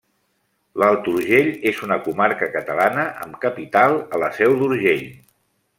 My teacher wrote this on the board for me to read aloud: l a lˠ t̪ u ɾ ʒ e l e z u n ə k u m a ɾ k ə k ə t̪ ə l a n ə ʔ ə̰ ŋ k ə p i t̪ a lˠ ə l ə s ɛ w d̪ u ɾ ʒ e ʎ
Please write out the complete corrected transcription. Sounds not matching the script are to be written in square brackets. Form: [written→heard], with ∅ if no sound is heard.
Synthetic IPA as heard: l a lˠ t̪ u ɾ ʒ e [l→ʎ] e z u n ə k u m a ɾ k ə k ə t̪ ə l a n ə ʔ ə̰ [ŋ→m] k ə p i t̪ a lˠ ə l ə s ɛ w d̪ u ɾ ʒ e ʎ